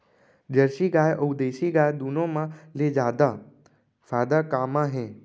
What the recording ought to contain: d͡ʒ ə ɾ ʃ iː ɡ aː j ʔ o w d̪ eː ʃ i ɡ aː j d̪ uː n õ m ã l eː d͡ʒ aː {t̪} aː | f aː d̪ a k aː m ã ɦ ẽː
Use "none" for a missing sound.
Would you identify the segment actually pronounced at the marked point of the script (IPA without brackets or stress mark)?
d̪